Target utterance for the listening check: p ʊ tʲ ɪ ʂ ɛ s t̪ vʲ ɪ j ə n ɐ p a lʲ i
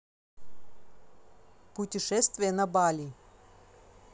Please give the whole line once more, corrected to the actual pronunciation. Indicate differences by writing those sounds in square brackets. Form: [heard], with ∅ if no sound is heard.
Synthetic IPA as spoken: p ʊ tʲ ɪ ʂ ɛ s t̪ vʲ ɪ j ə n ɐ [b] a lʲ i